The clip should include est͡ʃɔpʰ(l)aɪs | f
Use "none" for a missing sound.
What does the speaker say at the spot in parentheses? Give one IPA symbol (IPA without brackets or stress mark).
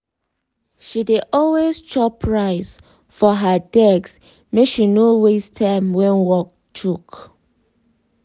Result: ɹ